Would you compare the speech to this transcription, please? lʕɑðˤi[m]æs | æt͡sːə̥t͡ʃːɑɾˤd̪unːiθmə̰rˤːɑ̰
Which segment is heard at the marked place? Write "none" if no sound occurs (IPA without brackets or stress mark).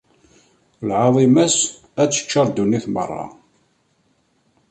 m